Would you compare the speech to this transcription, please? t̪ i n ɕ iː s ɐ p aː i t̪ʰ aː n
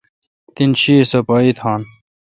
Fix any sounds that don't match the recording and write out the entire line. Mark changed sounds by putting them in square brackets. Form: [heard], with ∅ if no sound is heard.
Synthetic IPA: t̪ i n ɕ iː s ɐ p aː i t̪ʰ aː n